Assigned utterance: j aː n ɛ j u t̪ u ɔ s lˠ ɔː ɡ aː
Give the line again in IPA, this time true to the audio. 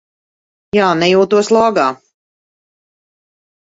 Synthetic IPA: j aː n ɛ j uː t̪ u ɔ s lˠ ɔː ɡ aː

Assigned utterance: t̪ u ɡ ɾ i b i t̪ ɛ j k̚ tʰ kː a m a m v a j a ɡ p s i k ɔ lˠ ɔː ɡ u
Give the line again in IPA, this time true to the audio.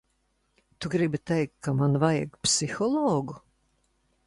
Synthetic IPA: t̪ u ɡ ɾ i b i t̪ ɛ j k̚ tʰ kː a m a n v a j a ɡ p s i x ɔ lˠ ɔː ɡ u

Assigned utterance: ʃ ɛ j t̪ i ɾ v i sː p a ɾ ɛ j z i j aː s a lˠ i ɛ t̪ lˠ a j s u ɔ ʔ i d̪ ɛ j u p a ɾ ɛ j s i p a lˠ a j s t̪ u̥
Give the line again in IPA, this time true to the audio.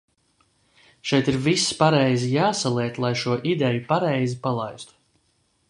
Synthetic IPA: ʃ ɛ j t̪ i ɾ v i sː p a ɾ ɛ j z i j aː s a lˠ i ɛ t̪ lˠ a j ʃ u ɔ ʔ i d̪ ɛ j u p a ɾ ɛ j z i p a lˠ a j s t̪ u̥

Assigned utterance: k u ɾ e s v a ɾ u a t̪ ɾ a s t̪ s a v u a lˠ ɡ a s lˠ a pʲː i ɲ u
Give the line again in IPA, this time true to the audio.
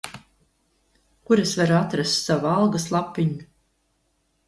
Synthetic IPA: k u ɾ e s v a ɾ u a t̪ ɾ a s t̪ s a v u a lˠ ɡ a s lˠ a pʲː i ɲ u

